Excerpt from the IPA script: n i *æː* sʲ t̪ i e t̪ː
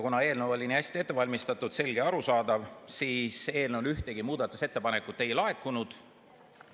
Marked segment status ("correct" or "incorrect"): incorrect